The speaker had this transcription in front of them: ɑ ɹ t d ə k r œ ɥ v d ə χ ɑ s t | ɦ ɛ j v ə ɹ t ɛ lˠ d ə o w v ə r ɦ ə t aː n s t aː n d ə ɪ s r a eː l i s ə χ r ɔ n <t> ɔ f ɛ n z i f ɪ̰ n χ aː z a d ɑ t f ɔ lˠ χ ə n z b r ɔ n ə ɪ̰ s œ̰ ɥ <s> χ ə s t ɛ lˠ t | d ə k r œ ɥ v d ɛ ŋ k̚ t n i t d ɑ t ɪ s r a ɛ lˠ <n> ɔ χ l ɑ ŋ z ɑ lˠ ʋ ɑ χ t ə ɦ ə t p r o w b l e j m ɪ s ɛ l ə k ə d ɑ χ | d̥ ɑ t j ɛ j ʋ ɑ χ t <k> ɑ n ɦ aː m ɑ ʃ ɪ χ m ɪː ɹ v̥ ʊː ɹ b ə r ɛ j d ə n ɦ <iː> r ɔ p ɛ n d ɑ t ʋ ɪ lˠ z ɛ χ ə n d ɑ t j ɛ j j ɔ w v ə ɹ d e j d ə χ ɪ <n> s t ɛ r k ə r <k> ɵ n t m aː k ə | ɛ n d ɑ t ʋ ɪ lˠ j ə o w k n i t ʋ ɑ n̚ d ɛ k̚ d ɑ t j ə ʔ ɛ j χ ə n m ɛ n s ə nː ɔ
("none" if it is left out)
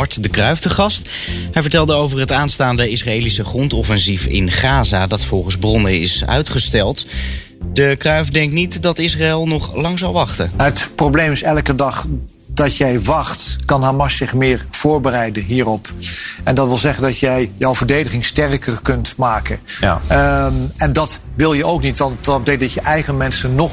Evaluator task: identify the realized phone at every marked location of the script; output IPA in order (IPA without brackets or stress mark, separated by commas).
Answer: t, t, n, k, iː, ŋ, k